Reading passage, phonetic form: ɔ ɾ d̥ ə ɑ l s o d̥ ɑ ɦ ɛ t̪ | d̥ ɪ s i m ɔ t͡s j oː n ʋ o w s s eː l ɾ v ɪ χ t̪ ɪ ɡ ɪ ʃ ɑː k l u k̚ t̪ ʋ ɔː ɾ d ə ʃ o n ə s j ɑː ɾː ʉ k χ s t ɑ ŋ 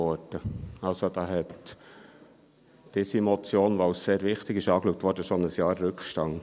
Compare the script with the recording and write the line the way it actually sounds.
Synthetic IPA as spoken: ɔ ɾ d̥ ə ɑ l s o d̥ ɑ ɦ ɛ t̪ | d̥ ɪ s i m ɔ t͡s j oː n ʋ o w s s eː ɾ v ɪ χ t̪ ɪ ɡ ɪ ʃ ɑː k l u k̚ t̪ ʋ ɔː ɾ d ə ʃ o n ə s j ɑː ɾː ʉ k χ ʃ t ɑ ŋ

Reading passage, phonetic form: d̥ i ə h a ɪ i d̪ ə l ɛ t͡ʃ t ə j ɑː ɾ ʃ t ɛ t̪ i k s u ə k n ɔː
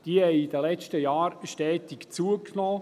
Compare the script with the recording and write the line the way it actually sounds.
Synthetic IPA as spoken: d̥ i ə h ɛ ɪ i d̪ ə l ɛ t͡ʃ t ə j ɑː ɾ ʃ t ɛː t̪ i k t͡s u ə k n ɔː

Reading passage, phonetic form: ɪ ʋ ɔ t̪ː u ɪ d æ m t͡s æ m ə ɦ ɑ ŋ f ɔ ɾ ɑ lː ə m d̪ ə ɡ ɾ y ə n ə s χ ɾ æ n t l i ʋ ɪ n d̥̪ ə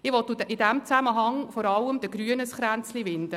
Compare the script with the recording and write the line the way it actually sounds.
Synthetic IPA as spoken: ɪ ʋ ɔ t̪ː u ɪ d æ m t͡s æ m ə ɦ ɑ ŋ f ɔ ɾ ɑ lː ə m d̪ ə ɡ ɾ y ə n ə s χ ɾ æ n t͡s l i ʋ ɪ n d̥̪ ə

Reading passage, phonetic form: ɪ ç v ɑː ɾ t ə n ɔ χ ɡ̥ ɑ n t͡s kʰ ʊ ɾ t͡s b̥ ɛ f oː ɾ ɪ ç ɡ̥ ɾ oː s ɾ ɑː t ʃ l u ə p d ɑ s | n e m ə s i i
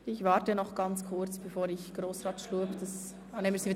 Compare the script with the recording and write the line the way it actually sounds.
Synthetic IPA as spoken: ɪ ç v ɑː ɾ t ə n ɔ χ ɡ̥ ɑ n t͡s kʰ ʊ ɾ t͡s b̥ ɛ f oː ɾ ɪ ç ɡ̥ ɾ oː s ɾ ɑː t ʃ l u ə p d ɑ s | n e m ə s i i

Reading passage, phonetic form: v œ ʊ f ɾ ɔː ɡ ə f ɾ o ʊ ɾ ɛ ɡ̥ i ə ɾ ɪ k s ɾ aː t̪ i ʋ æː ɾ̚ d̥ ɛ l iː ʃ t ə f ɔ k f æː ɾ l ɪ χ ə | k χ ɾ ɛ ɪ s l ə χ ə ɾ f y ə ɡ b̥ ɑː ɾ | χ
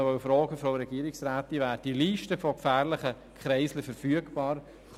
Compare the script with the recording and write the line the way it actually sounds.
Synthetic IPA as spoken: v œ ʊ f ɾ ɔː ɡ ə f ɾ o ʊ ɾ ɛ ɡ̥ i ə ɾ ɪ k s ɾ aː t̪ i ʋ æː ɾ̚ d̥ i l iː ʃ t ə f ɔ k f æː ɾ l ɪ χ ə | k χ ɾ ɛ ɪ s l ə f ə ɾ f y ə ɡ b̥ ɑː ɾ | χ

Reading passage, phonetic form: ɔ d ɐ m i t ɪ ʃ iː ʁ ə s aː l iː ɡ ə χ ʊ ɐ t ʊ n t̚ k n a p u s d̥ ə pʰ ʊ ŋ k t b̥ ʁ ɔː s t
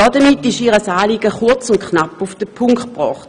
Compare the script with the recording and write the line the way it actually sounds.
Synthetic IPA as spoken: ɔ d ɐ m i t ɪ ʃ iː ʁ ə s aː l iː ɡ ə χ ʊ ɐ t͡s ʊ n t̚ k n a p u f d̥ ə pʰ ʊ ŋ k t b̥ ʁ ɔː χ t

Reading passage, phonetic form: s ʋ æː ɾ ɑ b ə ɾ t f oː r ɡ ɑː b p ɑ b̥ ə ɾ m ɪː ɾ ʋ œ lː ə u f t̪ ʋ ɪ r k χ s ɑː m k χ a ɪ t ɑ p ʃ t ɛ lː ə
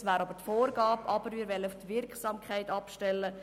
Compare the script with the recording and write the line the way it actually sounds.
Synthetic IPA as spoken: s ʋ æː ɾ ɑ b ə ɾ t f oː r ɡ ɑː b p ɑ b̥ ə ɾ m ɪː ɾ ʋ ɛ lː ə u f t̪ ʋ ɪ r k χ s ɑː m k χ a ɪ t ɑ p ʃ t ɛ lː ə

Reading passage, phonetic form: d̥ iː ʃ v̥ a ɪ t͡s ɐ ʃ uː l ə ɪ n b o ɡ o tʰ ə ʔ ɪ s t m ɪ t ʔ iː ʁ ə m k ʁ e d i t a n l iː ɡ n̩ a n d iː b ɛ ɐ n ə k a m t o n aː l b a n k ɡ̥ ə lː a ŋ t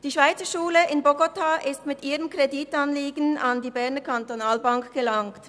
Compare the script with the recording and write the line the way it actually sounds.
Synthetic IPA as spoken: d̥ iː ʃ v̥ a ɪ t͡s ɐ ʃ uː l ə ɪ n b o ɡ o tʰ a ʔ ɪ s t m ɪ t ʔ iː ʁ ə m k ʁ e d i t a n l iː ɡ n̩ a n d iː b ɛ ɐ n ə k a n t o n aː l b a ŋ k ɡ̥ ə l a ŋ t

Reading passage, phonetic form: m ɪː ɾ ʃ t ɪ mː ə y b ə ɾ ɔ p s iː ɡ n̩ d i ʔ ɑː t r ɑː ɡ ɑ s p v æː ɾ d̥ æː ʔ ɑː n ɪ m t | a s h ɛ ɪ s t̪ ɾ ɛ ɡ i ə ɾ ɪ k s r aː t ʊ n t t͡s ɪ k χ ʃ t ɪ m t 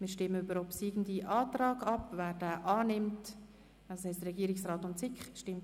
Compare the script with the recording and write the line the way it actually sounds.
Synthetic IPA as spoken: m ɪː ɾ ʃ t ɪ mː ə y b ə ɾ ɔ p s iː ɡ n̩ d i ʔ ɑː t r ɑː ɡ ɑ p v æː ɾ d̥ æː ʔ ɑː n ɪ m t | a s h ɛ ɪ s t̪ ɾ ɛ ɡ i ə ɾ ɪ k s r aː t ʊ n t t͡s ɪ k χ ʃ t ɪ m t

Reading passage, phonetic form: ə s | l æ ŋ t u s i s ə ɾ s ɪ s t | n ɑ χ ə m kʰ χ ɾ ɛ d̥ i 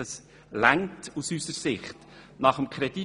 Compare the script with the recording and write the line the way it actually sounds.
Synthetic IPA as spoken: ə s | l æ ŋ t u s y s ə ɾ s ɪ χ t | n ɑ χ ə m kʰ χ ɾ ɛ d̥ i

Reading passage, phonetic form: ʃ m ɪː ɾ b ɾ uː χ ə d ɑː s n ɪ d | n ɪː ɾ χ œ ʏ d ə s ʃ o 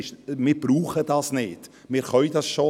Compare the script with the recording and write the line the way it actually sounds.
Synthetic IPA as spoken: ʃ m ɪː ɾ b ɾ uː χ ə d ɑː s n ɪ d | m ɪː ɾ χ œ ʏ d ɑ s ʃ o

